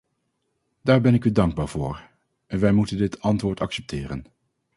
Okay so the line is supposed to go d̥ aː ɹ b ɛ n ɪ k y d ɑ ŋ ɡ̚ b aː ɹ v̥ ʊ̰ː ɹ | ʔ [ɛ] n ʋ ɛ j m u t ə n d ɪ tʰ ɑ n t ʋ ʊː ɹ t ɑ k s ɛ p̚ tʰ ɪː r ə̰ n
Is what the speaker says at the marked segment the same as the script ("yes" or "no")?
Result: yes